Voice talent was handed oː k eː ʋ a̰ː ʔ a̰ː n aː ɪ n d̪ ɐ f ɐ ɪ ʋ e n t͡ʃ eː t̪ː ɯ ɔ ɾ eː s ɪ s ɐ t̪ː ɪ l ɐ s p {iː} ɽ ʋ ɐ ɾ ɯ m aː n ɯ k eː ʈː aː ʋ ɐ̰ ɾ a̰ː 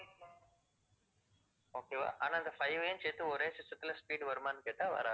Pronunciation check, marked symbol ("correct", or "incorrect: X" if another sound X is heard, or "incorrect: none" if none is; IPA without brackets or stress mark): correct